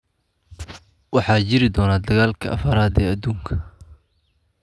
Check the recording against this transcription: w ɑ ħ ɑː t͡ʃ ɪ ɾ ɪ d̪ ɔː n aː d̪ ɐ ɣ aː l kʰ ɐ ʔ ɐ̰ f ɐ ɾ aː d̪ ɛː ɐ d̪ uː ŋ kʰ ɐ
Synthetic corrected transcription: w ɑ ħ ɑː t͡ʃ ɪ ɾ ɪ d̪ ɔː n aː d̪ ɐ ɣ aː l kʰ ɐ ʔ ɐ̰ f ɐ ɾ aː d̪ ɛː ɐ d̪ uː ŋ kʰ ɐ